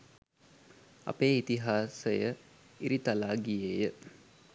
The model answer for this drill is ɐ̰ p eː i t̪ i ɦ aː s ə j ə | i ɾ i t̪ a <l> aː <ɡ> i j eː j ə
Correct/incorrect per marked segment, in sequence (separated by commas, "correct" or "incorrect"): correct, correct